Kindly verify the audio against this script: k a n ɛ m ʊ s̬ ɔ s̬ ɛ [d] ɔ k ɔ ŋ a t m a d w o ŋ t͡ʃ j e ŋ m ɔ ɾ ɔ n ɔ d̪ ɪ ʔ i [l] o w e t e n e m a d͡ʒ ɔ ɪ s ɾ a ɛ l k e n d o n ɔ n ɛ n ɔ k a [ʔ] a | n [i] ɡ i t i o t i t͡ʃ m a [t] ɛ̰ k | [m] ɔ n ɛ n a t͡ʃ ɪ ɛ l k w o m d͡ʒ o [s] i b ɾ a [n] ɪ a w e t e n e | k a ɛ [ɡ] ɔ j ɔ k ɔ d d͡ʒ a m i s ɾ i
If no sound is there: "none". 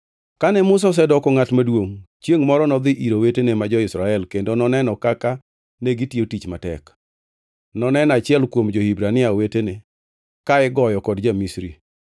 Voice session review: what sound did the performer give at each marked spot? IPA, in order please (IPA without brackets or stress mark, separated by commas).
d, ɾ, k, e, t, n, h, n, ɡ